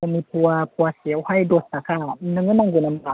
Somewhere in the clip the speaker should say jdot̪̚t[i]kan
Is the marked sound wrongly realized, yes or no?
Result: yes